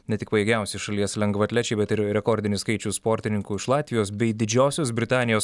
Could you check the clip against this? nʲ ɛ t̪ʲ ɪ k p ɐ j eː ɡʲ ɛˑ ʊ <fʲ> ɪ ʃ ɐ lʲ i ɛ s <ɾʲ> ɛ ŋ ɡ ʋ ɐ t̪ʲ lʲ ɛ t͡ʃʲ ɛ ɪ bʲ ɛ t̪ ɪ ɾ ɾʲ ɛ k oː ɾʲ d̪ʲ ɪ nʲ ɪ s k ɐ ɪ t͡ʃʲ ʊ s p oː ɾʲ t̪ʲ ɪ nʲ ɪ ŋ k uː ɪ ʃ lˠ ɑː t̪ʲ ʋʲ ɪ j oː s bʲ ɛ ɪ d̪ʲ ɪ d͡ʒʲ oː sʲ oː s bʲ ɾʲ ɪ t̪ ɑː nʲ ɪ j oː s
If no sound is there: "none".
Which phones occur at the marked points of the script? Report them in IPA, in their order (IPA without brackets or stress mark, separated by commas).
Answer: sʲ, lʲ